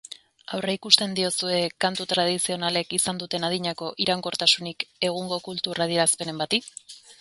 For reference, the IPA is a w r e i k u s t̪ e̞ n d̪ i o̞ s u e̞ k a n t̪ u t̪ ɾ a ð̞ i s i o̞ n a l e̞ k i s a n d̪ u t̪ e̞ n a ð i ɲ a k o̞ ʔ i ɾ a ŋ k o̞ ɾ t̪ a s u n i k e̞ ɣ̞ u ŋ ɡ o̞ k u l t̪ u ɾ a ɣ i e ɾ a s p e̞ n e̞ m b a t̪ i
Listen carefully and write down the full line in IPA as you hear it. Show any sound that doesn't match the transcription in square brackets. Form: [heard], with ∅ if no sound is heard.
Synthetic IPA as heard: a w r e i k u s t̪ e̞ n d̪ i o̞ s u e̞ k a n t̪ u t̪ ɾ a ð̞ i s i o̞ n a l e̞ k i s a n d̪ u t̪ e̞ n a ð i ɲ a k o̞ ʔ i ɾ a ŋ k o̞ ɾ t̪ a s u n i k e̞ ɣ̞ u ŋ ɡ o̞ k u l t̪ u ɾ a [ð] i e ɾ a s p e̞ n e̞ m b a t̪ i